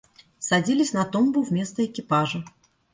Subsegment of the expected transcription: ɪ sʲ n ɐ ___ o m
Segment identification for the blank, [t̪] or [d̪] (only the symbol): t̪